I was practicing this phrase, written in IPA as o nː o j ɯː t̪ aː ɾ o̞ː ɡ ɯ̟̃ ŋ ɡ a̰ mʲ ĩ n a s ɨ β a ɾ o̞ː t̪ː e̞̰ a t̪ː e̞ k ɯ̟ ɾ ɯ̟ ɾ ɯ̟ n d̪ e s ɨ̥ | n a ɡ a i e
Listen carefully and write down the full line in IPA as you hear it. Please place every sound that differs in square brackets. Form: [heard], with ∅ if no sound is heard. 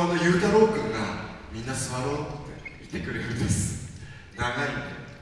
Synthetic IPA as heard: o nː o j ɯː t̪ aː ɾ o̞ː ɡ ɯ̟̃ ŋ ɡ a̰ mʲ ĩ [nː] a s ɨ β a ɾ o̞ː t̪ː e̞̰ [i] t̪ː e̞ k ɯ̟ ɾ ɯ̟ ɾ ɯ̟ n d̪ e s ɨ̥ | n a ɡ a i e